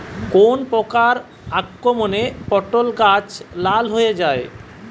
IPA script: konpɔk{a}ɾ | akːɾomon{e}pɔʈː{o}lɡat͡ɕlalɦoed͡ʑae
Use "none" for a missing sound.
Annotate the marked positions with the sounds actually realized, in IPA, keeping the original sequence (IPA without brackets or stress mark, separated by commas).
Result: a, e, o